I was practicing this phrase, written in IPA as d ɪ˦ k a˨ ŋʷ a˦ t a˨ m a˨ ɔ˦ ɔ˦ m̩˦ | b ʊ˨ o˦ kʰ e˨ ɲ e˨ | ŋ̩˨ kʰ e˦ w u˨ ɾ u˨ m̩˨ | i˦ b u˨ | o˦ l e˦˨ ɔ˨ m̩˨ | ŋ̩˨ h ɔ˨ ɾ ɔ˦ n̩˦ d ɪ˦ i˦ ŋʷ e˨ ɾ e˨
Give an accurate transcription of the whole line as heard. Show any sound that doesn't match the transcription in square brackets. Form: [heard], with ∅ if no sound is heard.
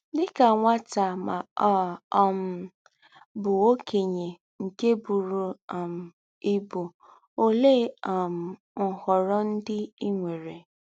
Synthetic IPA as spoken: d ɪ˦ k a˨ ŋʷ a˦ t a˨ m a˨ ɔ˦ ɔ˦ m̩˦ | b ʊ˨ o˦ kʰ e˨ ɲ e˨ | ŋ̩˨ [k] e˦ [b] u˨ ɾ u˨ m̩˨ | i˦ b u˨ | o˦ l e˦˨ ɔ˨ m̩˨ | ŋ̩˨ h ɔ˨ ɾ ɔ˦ n̩˦ d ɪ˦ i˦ ŋʷ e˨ ɾ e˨